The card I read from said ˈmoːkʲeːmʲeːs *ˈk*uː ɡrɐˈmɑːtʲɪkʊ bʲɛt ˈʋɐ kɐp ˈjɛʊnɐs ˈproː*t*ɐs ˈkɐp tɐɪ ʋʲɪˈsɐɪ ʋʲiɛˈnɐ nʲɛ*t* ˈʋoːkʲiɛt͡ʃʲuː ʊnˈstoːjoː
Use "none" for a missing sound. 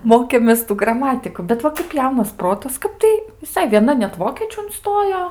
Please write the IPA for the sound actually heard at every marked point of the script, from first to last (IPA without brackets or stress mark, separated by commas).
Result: t, t, t